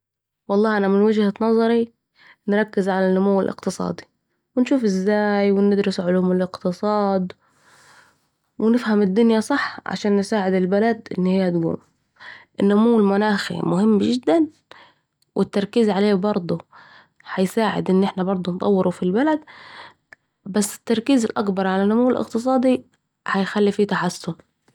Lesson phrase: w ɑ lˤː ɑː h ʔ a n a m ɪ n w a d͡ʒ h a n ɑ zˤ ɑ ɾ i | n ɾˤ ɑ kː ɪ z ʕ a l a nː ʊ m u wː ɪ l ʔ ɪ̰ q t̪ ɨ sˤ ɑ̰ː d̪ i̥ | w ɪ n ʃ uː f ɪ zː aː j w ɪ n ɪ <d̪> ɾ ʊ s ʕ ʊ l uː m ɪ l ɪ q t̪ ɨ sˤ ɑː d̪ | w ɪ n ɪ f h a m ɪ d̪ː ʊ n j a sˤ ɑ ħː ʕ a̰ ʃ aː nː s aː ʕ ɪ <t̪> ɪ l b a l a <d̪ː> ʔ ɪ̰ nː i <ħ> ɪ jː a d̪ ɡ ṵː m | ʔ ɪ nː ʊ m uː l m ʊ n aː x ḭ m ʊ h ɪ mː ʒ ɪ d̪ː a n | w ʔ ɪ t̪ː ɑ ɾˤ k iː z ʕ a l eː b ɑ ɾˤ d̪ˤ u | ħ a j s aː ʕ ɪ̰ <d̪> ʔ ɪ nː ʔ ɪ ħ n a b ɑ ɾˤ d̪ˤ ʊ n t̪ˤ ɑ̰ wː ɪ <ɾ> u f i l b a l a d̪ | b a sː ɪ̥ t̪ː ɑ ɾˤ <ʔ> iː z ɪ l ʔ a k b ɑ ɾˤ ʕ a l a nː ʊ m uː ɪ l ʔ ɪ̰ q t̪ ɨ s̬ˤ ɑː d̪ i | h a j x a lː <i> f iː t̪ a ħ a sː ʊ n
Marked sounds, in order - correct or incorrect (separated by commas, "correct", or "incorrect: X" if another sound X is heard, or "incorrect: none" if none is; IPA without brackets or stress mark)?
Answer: correct, incorrect: d̪, incorrect: d̪, incorrect: h, correct, correct, incorrect: k, correct